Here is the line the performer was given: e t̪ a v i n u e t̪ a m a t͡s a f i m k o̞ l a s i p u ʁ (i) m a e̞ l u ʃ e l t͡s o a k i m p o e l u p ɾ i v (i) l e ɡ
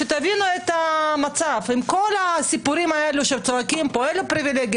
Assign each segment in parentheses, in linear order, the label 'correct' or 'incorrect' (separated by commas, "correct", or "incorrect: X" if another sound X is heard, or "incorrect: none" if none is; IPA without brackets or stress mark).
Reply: correct, correct